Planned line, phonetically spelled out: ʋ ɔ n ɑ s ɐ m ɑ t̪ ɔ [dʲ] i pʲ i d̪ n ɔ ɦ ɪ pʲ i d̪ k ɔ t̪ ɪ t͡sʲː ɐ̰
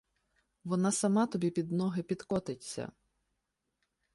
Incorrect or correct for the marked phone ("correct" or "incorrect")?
incorrect